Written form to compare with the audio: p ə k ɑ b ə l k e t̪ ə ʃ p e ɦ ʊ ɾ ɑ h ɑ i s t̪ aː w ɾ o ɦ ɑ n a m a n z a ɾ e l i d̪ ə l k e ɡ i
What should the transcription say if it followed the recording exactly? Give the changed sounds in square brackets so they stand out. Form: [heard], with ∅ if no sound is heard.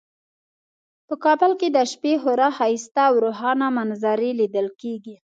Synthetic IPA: p ə k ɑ b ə l k e [d̪] ə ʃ p e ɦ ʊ ɾ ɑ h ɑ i s t̪ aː w ɾ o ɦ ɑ n a m a n z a ɾ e l i d̪ ə l k e ɡ i